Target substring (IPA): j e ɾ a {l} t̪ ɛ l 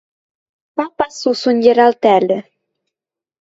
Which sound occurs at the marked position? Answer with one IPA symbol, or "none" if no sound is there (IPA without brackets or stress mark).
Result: l